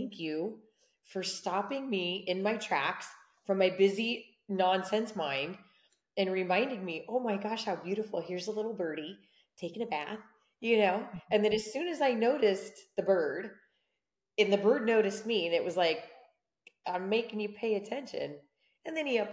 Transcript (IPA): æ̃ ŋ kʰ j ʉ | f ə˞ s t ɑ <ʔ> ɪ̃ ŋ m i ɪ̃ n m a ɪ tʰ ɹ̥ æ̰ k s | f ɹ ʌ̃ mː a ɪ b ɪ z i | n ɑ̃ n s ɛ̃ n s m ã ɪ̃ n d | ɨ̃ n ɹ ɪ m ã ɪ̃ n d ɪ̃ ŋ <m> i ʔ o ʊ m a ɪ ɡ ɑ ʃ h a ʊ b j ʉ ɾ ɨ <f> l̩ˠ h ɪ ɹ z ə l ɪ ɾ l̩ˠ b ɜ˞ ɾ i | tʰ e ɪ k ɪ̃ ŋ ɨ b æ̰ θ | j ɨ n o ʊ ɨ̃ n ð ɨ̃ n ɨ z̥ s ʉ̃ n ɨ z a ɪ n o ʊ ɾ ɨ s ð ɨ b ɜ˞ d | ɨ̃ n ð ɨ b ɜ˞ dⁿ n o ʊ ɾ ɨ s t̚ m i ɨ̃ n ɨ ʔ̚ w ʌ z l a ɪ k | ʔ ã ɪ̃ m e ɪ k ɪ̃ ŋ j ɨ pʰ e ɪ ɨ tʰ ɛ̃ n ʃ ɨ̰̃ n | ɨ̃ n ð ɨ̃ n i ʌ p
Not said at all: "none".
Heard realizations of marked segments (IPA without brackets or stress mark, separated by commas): p, m, f